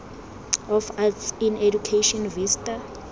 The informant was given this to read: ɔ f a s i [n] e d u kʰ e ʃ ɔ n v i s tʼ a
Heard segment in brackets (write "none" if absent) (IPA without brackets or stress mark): n